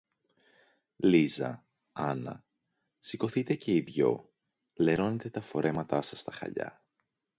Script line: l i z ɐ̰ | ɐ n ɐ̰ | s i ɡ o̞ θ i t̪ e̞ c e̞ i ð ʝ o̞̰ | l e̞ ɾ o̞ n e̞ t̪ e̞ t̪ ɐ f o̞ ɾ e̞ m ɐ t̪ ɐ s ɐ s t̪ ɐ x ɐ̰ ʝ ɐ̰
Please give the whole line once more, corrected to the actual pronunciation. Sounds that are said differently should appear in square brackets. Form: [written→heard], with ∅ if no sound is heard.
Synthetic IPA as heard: l i z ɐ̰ | ɐ n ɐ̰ | s i [ɡ→k] o̞ θ i t̪ e̞ c e̞ i ð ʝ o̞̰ | l e̞ ɾ o̞ n e̞ t̪ e̞ t̪ ɐ f o̞ ɾ e̞ m ɐ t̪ ɐ s ɐ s t̪ ɐ x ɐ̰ [ʝ→ʎ] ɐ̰